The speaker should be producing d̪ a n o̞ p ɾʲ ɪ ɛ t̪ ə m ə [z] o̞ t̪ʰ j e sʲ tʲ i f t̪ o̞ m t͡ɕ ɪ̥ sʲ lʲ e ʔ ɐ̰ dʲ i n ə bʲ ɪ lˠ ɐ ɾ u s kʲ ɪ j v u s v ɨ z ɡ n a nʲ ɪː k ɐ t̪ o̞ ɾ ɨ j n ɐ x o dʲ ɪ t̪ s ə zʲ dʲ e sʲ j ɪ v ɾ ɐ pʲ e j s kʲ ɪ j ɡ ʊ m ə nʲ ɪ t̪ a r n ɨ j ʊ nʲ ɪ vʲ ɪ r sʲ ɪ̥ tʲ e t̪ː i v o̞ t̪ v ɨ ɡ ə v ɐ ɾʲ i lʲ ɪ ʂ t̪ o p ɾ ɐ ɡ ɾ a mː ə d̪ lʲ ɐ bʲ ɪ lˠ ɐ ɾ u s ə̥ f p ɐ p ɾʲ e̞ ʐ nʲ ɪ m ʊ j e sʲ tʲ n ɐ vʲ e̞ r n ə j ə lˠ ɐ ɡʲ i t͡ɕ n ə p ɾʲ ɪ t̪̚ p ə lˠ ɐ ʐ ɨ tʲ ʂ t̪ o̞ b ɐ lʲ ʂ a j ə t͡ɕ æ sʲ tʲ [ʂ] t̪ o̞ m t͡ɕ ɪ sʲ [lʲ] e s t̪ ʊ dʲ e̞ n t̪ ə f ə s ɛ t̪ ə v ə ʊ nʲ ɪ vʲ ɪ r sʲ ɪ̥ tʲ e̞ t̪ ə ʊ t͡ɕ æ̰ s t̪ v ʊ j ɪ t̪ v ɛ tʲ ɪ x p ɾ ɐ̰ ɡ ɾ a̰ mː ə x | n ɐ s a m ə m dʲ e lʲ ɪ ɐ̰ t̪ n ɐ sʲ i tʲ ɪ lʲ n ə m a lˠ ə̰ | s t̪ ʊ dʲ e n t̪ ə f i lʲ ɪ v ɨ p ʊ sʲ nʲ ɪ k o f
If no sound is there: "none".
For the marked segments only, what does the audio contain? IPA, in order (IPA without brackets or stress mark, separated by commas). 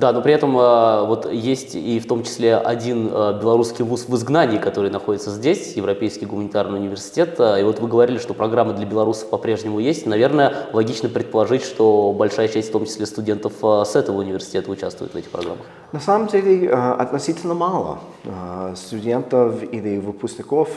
v, f, lʲ